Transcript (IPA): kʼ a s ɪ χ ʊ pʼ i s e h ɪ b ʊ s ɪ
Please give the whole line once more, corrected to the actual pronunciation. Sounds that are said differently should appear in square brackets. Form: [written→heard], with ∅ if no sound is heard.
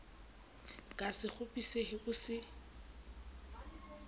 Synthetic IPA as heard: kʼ a s ɪ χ ʊ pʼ i s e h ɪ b ʊ s ɪ